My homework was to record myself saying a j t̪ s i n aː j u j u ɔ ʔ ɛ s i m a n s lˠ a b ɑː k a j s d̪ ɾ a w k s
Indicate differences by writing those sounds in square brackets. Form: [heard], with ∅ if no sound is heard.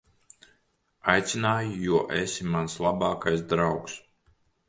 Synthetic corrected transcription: a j t̪ s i n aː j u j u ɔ ʔ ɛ s i m a n s lˠ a b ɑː k a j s d̪ ɾ a w k s